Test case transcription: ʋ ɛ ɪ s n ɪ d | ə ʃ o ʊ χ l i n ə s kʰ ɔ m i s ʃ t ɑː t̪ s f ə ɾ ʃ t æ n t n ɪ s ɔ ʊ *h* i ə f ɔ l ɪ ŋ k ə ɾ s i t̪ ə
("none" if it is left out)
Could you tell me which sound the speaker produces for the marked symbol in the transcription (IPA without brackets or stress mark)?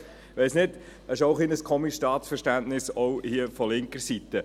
h